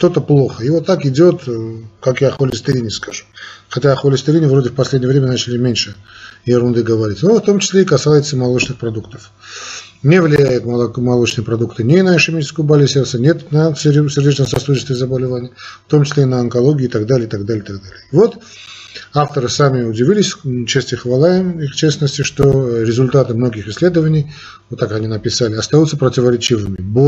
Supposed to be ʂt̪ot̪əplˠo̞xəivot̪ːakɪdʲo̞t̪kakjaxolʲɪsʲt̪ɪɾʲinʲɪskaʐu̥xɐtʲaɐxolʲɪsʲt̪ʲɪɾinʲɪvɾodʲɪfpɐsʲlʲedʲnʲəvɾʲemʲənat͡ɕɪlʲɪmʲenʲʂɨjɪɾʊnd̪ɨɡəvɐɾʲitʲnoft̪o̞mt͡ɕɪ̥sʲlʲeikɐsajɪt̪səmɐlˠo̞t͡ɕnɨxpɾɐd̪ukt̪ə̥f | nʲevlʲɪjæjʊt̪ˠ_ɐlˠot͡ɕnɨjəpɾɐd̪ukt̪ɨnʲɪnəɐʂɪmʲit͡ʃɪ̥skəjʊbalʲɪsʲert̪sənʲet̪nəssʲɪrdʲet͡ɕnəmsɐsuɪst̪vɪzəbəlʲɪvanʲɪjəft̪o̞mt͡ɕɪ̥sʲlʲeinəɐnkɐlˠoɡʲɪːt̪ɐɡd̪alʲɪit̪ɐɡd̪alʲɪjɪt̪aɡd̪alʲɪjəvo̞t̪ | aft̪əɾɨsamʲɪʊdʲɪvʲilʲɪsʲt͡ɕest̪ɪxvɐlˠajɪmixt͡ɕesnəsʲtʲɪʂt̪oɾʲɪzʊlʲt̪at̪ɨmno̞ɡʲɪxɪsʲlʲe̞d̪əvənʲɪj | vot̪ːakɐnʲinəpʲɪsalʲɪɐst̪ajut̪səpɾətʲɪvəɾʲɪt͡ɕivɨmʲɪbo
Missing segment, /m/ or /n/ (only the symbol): m